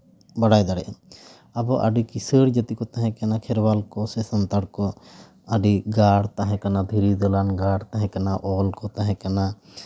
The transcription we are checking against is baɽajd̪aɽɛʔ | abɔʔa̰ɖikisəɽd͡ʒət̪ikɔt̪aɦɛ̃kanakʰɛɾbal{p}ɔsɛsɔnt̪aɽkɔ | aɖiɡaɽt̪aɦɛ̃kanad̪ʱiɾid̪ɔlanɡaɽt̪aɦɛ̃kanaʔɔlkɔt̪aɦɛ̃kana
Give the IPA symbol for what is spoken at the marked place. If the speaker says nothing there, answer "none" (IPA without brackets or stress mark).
k